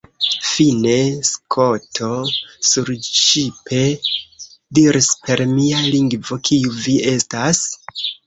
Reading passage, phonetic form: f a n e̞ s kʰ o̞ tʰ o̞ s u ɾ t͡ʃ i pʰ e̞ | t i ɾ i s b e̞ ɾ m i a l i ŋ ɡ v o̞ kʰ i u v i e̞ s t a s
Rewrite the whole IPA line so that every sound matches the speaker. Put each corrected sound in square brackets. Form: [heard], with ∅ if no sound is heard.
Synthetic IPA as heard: f [i] n e̞ s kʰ o̞ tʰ o̞ s u ɾ t͡ʃ i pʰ e̞ | [d] i ɾ i s [p] e̞ ɾ m i a l i ŋ ɡ v o̞ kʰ i u v i e̞ s t a s